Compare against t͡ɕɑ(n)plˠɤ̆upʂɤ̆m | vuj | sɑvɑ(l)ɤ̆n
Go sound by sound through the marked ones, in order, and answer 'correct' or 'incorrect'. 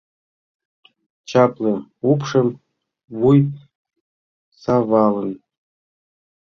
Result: incorrect: none, correct

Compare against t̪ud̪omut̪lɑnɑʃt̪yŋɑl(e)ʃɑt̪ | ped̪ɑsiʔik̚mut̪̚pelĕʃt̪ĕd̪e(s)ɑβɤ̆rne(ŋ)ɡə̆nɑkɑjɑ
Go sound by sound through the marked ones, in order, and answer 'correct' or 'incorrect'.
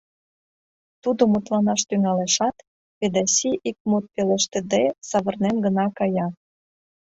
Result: correct, correct, incorrect: m

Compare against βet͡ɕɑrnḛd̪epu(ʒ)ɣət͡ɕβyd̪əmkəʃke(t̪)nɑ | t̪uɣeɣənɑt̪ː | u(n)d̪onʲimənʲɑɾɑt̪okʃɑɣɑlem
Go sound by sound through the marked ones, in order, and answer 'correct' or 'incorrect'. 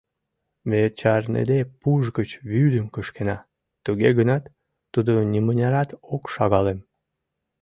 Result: correct, incorrect: none, incorrect: none

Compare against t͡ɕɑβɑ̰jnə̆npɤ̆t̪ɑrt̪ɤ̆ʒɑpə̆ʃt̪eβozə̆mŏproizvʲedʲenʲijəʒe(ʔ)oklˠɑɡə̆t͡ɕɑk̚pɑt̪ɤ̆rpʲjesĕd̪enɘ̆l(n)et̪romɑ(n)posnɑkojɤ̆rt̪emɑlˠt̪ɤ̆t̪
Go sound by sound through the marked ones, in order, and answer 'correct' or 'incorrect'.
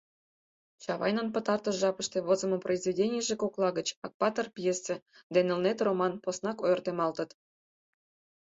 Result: incorrect: k, correct, correct

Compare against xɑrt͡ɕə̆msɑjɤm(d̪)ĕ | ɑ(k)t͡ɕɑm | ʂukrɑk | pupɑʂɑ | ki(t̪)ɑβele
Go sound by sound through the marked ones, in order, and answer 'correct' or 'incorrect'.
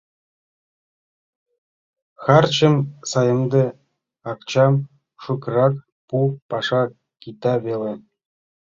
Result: correct, correct, correct

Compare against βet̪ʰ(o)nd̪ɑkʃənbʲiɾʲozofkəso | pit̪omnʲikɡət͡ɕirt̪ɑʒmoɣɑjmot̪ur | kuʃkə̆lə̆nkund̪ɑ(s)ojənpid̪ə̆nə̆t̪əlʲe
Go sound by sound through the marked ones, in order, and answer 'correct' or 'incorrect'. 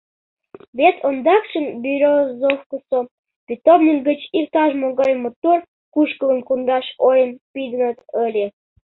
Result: correct, incorrect: ʃ

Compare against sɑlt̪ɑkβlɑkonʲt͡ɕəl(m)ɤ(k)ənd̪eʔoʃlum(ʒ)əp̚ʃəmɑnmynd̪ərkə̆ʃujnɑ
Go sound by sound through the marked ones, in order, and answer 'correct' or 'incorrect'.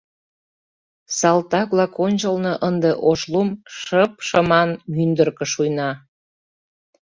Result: incorrect: n, incorrect: ʔ, incorrect: ʃ

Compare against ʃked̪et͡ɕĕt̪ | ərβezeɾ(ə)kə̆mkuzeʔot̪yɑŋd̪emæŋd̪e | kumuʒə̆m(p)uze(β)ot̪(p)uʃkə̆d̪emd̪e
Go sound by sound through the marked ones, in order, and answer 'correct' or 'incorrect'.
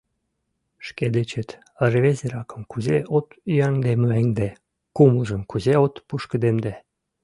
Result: incorrect: ɑ, incorrect: k, incorrect: none, correct

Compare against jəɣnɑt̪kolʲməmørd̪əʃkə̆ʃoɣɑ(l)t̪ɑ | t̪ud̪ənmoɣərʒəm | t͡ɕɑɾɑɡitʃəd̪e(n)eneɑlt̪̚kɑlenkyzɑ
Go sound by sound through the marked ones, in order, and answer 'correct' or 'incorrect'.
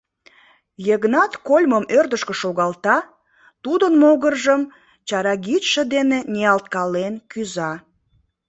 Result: correct, correct

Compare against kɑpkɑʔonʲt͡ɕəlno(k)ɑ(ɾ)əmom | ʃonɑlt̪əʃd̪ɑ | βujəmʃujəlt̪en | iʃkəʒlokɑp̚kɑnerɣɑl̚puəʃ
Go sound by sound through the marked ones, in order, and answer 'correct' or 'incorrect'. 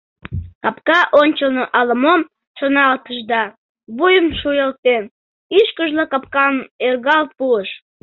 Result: incorrect: ʔ, incorrect: l

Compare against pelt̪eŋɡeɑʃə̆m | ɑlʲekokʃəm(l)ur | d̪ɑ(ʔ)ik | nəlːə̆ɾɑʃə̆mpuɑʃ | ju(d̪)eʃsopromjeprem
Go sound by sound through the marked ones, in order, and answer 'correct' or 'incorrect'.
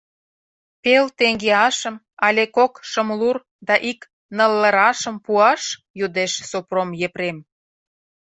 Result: correct, correct, correct

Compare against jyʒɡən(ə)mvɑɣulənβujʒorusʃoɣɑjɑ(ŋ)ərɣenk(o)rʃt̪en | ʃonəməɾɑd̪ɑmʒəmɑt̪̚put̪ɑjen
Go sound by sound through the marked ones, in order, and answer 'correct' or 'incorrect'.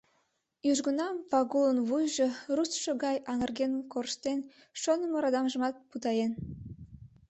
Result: incorrect: ɑ, correct, correct

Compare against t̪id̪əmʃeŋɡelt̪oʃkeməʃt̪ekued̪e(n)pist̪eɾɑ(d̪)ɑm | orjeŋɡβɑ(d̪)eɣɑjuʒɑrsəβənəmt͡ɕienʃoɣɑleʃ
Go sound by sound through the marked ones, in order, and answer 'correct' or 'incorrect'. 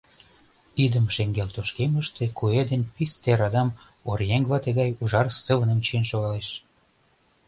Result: correct, correct, incorrect: t̪

